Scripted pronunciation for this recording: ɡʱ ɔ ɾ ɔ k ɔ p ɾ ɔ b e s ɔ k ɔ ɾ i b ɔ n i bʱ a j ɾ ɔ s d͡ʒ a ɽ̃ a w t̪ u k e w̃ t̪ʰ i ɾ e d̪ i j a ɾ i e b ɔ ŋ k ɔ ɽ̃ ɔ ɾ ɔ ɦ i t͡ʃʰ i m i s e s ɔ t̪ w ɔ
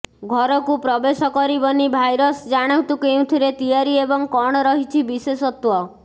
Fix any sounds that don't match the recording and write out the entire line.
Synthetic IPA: ɡʱ ɔ ɾ ɔ k u p ɾ ɔ b e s ɔ k ɔ ɾ i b ɔ n i bʱ a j ɾ ɔ s d͡ʒ a ɽ̃ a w t̪ u k e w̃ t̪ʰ i ɾ e t̪ i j a ɾ i e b ɔ ŋ k ɔ ɽ̃ ɔ ɾ ɔ ɦ i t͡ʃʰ i b i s e s ɔ t̪ w ɔ